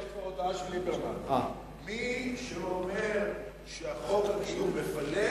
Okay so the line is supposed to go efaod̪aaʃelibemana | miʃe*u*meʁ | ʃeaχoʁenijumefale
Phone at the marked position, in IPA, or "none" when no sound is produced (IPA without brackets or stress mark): o